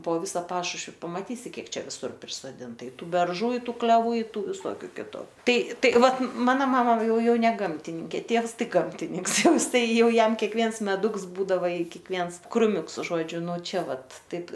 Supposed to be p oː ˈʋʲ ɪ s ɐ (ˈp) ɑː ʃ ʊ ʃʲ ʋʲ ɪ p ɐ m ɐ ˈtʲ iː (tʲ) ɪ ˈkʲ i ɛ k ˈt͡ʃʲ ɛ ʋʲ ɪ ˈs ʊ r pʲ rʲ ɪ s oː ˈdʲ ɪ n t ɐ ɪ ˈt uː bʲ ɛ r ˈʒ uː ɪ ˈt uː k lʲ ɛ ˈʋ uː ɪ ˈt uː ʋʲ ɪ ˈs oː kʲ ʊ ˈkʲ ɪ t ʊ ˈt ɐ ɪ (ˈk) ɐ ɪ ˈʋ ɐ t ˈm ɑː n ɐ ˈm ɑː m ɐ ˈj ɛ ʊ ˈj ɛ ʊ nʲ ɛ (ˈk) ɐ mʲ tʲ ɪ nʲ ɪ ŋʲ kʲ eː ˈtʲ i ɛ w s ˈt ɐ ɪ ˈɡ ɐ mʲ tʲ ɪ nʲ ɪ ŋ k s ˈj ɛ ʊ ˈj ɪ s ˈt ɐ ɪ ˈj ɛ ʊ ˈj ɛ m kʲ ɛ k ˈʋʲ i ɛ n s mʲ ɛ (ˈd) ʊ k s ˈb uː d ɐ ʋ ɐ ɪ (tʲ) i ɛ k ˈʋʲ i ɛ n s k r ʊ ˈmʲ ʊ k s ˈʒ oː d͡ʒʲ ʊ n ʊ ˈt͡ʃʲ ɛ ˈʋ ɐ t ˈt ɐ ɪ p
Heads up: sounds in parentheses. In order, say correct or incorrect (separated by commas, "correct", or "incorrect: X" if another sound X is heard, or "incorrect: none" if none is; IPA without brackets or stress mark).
correct, incorrect: sʲ, incorrect: t, incorrect: ɡ, correct, incorrect: kʲ